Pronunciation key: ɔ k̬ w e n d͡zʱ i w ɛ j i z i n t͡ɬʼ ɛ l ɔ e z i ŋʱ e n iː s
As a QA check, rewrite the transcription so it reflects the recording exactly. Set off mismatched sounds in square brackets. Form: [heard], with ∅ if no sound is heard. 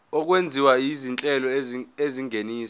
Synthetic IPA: ɔ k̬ w e n d͡zʱ i w [a] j i z i n t͡ɬʼ ɛ l ɔ e z i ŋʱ e n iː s